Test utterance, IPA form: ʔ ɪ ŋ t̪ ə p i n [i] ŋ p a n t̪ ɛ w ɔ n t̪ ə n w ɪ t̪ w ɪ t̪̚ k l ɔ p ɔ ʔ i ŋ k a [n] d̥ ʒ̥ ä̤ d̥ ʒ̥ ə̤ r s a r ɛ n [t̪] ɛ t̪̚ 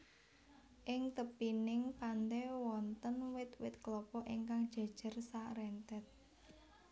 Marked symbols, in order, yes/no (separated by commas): no, no, yes